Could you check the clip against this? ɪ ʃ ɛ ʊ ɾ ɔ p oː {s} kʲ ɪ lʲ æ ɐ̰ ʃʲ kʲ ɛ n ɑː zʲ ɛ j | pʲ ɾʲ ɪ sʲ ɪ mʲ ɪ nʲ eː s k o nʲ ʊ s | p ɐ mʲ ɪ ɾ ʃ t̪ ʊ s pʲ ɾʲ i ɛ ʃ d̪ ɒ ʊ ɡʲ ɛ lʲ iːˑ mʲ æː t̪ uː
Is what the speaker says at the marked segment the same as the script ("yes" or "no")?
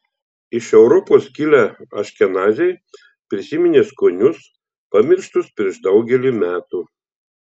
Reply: yes